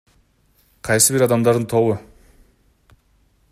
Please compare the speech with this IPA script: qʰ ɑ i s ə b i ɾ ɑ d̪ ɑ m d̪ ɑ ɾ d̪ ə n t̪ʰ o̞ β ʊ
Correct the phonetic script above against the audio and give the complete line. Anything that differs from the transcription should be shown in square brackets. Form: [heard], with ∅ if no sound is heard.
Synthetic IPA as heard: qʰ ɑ [j] s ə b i ɾ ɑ d̪ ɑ m d̪ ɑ ɾ d̪ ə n t̪ʰ o̞ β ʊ